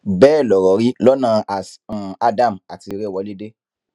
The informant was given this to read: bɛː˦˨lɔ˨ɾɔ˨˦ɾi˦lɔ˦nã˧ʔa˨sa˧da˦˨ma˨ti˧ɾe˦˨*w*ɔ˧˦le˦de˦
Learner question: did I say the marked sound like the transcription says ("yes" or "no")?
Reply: yes